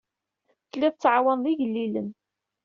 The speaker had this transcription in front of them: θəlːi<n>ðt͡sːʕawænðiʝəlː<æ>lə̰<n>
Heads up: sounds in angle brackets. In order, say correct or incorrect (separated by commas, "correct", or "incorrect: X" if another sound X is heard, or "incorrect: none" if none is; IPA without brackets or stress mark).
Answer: incorrect: none, incorrect: i, correct